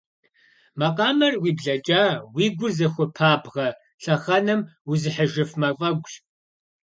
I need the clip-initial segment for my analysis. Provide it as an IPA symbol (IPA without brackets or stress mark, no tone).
m